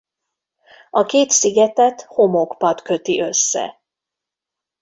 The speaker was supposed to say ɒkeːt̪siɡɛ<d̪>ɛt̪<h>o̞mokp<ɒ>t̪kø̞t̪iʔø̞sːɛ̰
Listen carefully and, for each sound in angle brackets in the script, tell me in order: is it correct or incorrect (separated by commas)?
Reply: incorrect, correct, correct